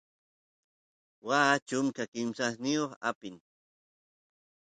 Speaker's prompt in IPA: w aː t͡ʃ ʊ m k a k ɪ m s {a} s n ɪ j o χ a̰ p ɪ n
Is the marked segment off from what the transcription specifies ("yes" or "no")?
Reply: no